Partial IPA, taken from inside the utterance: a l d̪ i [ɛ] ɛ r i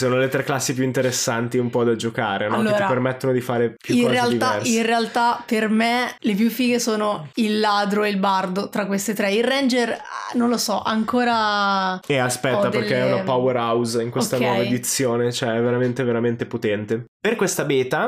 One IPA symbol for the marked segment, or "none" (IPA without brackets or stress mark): a